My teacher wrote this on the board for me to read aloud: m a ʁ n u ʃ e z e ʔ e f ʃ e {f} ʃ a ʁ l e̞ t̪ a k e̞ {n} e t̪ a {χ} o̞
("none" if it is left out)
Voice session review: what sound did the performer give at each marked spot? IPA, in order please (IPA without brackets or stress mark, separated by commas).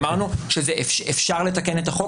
f, n, χ